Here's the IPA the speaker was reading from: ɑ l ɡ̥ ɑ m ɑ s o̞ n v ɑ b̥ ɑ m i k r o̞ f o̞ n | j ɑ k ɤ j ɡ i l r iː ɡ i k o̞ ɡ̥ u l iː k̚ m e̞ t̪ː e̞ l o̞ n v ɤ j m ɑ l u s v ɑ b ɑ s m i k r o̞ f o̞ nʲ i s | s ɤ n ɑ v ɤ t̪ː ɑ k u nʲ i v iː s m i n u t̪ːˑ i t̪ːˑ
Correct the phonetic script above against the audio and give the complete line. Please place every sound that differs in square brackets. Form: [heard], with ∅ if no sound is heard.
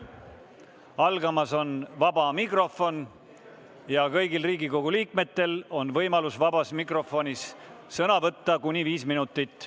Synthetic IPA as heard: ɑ l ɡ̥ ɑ m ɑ s o̞ n v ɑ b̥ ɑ m i k r o̞ f o̞ n | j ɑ k ɤ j ɡ i l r iː ɡ i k o̞ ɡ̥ u l iː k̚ m e̞ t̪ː e̞ l o̞ n v ɤ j m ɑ l u s v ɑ b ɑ s m i k r o̞ f o̞ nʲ i s | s ɤ n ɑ v ɤ t̪ː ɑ k u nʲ i v iː s m i n u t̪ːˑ i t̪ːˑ